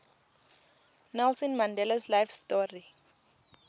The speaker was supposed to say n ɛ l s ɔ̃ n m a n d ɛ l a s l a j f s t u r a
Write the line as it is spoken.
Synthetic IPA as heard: n ɛ l s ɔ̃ n m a n d ɛ l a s l a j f s t ɔ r i